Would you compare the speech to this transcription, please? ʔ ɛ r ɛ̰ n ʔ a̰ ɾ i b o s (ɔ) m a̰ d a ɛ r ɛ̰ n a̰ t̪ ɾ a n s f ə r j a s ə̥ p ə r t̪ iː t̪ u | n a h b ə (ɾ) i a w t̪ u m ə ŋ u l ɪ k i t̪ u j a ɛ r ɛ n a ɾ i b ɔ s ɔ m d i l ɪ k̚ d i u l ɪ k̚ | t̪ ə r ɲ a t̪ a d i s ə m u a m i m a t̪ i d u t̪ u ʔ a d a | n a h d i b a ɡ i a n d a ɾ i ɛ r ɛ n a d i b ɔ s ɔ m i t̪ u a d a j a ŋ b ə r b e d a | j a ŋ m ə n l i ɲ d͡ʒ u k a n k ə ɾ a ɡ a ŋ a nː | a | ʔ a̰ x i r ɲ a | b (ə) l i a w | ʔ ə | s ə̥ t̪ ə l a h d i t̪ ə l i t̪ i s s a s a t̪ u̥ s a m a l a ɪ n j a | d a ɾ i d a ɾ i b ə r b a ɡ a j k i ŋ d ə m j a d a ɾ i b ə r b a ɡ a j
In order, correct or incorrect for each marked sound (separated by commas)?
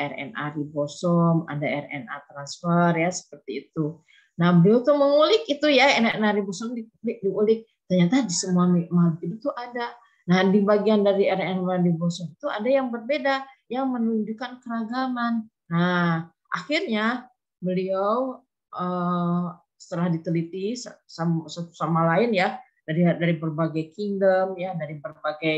correct, incorrect, correct